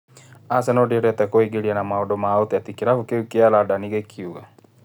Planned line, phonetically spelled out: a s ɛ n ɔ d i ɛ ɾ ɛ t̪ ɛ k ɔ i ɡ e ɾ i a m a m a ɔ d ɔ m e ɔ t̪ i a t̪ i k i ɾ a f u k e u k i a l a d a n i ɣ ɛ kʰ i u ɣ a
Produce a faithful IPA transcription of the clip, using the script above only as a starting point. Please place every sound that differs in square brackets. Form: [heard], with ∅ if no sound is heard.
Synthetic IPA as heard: a s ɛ n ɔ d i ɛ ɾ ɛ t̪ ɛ k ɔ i ɡ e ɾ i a [n] a m a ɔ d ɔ m [a] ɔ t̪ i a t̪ i k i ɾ a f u k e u k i a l a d a n i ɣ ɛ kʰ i u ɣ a